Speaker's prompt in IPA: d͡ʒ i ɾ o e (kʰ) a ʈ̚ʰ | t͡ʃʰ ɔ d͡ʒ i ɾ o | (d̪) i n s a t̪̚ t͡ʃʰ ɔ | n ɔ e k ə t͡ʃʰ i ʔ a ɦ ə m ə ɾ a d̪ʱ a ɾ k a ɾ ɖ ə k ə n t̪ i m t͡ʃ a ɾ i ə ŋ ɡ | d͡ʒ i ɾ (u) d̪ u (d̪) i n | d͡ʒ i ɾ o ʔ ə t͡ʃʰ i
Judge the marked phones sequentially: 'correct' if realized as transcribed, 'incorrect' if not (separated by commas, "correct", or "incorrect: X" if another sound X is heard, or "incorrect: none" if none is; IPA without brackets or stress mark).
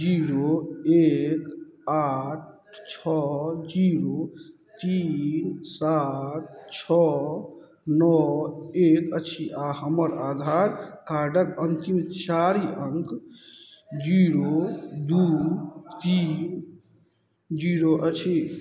incorrect: k, incorrect: t̪, incorrect: o, incorrect: t̪